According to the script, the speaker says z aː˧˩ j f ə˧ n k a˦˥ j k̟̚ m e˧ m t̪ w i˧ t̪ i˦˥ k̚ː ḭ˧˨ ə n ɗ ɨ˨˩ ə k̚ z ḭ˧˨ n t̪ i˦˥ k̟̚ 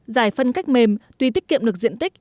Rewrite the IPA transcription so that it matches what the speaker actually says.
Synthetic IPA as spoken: z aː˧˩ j f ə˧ n k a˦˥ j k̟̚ m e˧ m t̪ w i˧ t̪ i˦˥ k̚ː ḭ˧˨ ə m ɗ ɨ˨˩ ə k̚ z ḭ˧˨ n t̪ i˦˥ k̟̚